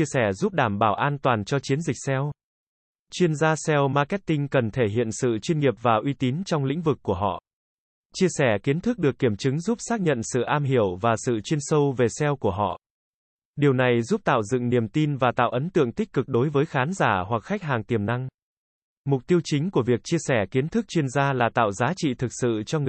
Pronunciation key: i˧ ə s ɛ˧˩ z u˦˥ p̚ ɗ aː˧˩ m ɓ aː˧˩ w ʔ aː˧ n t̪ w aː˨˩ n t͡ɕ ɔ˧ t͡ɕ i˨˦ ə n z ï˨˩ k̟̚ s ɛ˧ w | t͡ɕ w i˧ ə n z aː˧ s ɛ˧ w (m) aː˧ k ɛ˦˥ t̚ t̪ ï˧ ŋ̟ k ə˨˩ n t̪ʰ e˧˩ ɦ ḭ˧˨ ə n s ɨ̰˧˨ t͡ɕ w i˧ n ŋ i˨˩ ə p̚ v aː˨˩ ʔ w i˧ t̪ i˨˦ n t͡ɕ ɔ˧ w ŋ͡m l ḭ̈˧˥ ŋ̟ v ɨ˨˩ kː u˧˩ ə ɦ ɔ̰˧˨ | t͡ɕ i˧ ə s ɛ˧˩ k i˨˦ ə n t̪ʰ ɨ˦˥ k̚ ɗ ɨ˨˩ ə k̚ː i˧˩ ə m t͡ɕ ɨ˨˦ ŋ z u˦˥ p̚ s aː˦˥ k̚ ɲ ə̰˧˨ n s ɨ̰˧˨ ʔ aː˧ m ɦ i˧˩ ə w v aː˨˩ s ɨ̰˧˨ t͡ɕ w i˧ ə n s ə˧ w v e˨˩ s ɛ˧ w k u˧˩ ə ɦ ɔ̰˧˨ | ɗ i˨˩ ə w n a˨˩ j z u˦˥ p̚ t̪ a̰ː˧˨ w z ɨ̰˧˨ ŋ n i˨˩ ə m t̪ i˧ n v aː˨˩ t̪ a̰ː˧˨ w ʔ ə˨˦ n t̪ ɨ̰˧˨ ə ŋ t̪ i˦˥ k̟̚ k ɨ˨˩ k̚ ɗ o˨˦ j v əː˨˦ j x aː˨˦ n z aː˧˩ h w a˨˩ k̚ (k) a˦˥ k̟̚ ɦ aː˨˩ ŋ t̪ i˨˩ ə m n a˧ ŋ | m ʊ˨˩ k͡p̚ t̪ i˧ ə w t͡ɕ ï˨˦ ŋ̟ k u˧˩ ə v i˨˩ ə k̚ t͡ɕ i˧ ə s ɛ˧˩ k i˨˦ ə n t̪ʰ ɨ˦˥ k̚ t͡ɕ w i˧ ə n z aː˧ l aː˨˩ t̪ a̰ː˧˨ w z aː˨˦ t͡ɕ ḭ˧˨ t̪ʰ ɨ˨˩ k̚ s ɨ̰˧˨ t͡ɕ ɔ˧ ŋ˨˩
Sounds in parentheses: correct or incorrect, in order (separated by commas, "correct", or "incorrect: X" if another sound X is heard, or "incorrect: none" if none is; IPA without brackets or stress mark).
correct, incorrect: x